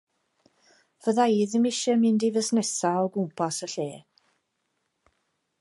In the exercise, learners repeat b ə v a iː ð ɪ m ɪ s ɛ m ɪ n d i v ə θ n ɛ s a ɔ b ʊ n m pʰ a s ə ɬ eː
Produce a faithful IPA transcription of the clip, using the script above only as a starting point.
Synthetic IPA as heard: v ə ð a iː ð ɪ m ɪ ʃ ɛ m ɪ n d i v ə s n ɛ s a ɔ ɡ ʊ m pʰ a s ə ɬ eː